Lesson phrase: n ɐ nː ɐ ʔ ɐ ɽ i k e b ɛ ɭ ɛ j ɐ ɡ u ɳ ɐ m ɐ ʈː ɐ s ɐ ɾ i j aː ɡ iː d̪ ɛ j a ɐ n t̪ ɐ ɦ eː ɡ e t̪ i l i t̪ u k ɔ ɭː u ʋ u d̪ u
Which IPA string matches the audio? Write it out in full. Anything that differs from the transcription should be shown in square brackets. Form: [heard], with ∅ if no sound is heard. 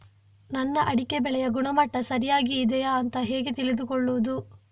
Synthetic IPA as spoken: n ɐ nː ɐ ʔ ɐ ɽ i k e b ɛ ɭ ɛ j ɐ ɡ u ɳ ɐ m ɐ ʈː ɐ s ɐ ɾ i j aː ɡ iː d̪ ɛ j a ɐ n t̪ ɐ ɦ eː ɡ e t̪ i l i [d̪] u k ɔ ɭː u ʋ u d̪ u